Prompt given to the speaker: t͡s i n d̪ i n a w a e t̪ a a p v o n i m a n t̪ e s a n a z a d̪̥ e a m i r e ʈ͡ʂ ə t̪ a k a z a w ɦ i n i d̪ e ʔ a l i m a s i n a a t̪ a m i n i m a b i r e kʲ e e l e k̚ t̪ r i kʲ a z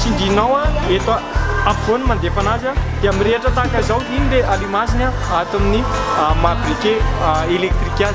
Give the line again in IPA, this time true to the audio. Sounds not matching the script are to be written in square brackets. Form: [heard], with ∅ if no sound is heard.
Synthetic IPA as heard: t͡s i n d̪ i n a w a e t̪ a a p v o n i m a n [d̪] e [f] a n a z a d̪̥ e a m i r e ʈ͡ʂ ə t̪ a k a z a w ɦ i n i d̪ e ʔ a l i m a s i n a a t̪ a m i n i m a b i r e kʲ e e l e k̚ t̪ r i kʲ a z